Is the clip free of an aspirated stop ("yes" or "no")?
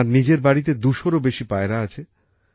no